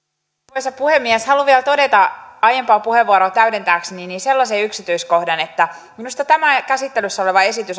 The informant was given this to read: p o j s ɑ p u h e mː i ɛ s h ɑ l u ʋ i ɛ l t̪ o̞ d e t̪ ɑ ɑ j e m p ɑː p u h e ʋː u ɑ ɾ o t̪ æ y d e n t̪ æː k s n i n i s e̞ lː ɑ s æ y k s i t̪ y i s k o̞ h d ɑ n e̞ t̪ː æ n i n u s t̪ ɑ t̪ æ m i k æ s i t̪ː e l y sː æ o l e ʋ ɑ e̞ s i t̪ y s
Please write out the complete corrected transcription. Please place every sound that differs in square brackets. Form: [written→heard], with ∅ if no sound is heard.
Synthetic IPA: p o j s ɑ p u h e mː i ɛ s h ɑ l u ʋ i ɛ l t̪ o̞ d e t̪ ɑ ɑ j e m p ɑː p u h e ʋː u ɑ ɾ o t̪ æ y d e n t̪ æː k s n i n i s e̞ lː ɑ s [æ→e] y k s i t̪ y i s k o̞ h d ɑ n e̞ t̪ː æ [n→m] i n u s t̪ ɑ t̪ æ m [i→æ] k æ s i t̪ː e l y sː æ o l e ʋ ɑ e̞ s i t̪ y s